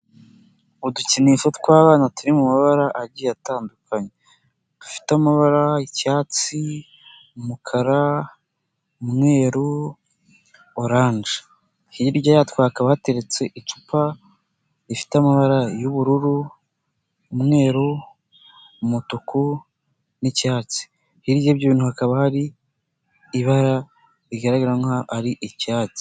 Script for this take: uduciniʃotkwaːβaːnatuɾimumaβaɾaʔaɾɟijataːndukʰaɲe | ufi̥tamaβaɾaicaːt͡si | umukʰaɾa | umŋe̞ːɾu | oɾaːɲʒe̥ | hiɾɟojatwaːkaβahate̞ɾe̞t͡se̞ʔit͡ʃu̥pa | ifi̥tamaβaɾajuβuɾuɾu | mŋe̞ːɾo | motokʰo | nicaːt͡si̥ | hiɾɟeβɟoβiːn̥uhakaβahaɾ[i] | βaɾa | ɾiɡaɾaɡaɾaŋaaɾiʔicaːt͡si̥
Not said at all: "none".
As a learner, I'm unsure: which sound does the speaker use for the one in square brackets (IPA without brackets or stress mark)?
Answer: iː